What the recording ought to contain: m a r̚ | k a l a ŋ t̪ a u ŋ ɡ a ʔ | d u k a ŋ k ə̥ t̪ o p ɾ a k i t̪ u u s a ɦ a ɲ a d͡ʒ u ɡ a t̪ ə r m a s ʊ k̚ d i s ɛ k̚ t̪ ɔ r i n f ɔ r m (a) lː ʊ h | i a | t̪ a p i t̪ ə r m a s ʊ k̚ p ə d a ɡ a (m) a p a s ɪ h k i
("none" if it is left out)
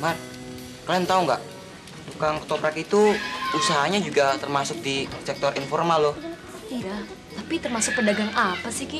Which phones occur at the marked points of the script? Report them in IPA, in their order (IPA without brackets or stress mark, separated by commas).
a, ŋ